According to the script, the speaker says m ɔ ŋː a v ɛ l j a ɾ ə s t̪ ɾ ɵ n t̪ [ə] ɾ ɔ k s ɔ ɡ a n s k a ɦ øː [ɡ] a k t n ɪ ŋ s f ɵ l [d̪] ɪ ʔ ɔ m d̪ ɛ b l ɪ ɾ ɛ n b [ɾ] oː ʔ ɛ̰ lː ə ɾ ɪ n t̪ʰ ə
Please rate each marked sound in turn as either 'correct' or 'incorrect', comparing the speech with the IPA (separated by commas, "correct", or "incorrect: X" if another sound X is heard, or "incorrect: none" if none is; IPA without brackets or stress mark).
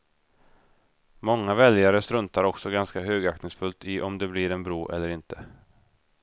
incorrect: a, correct, incorrect: t̪, correct